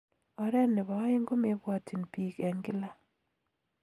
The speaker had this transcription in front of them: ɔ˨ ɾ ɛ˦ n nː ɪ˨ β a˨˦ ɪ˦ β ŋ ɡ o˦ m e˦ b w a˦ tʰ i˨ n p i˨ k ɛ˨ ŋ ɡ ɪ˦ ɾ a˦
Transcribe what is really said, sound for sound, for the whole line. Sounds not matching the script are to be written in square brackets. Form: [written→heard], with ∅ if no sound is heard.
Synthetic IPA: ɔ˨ ɾ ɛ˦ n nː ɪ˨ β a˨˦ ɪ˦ [β→∅] ŋ ɡ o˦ m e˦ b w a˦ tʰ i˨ n p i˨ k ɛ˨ ŋ ɡ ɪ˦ [ɾ→l] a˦

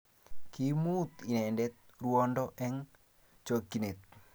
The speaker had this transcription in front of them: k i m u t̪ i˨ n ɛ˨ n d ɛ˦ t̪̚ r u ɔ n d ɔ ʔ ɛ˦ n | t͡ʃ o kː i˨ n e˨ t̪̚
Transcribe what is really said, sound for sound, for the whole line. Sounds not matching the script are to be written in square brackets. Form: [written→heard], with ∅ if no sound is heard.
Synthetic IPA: k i m u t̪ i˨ n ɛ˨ n d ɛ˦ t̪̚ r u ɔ n d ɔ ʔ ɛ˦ [n→ŋ] | t͡ʃ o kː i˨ n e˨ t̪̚

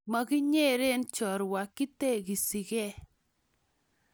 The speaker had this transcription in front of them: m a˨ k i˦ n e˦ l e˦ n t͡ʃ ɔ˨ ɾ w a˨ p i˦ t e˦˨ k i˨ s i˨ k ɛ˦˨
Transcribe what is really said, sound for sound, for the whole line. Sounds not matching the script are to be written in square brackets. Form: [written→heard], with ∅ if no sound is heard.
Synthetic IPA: m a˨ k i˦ [n→ɲ] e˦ [l→ɾ] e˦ n t͡ʃ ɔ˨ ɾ w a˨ [p→k] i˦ t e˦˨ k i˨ s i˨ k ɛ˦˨

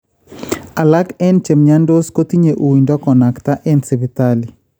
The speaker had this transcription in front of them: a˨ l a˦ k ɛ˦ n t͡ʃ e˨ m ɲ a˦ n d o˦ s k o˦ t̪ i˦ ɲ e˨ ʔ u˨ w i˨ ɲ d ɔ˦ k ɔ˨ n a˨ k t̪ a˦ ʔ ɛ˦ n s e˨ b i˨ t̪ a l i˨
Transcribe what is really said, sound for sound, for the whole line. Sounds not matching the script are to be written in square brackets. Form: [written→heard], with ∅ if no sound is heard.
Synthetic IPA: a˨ l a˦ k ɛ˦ n t͡ʃ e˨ m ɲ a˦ n d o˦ s k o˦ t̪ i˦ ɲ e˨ ʔ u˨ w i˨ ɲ d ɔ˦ k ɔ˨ n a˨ k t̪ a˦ ʔ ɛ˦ n s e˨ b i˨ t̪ a l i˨

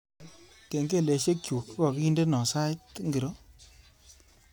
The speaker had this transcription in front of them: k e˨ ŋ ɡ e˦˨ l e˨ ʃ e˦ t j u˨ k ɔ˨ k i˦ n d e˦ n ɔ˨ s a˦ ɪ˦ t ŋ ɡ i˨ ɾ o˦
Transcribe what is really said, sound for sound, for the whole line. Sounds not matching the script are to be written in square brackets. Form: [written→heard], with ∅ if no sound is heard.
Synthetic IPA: k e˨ ŋ ɡ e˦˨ l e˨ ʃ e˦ [t→k] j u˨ k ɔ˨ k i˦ n d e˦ n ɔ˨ s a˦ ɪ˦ t ŋ ɡ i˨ ɾ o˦

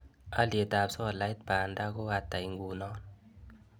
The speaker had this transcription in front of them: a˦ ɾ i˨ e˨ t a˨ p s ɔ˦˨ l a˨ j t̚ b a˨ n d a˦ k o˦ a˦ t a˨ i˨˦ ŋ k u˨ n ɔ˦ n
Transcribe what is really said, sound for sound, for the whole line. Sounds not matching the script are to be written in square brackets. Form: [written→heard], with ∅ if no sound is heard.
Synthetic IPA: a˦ [ɾ→l] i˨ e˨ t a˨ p s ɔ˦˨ l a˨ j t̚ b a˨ n d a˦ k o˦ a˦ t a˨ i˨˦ ŋ [k→ɡ] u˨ n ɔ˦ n

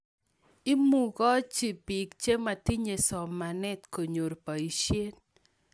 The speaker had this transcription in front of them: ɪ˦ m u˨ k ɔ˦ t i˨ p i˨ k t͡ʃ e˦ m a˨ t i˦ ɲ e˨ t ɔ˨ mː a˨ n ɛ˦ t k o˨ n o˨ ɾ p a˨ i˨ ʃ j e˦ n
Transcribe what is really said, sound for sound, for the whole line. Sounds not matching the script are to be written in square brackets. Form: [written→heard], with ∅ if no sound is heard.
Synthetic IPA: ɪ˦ m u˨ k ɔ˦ [t→t͡ʃ] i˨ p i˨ k t͡ʃ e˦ m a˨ t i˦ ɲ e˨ [t→s] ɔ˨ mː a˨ n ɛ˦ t k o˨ [n→ɲ] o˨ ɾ p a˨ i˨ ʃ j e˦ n

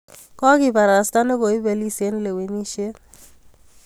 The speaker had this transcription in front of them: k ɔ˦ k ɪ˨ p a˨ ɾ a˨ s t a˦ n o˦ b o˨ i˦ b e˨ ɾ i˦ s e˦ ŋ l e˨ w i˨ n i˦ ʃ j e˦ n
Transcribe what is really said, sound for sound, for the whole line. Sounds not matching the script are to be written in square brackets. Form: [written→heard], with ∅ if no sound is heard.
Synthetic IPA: k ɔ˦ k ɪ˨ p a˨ ɾ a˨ s t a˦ n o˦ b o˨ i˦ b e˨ [ɾ→l] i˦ s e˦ [ŋ→n] l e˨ w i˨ n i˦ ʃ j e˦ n

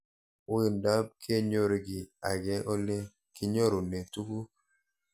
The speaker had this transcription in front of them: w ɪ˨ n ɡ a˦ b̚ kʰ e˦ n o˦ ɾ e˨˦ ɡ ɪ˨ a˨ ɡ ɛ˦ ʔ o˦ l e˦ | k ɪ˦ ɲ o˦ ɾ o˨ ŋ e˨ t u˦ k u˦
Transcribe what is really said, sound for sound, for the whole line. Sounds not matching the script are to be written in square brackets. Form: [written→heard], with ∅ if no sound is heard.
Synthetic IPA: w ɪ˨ n [ɡ→d] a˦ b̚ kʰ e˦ [n→ɲ] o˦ ɾ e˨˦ ɡ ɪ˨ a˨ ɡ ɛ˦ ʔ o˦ l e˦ | k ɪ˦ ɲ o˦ ɾ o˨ [ŋ→n] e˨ t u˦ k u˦

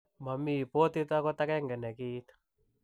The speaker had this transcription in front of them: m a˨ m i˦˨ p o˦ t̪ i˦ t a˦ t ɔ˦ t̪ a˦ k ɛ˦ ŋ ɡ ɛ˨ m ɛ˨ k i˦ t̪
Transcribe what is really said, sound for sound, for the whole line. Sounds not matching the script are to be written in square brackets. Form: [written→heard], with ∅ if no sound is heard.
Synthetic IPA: m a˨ m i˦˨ p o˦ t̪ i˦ t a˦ [t→k] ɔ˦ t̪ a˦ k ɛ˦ ŋ ɡ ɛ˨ [m→n] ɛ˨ k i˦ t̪

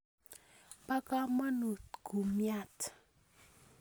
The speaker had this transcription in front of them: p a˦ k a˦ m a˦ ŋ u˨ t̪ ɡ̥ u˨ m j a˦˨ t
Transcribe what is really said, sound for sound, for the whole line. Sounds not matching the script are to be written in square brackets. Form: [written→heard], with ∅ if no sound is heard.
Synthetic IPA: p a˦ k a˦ m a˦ [ŋ→n] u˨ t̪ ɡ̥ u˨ m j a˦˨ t

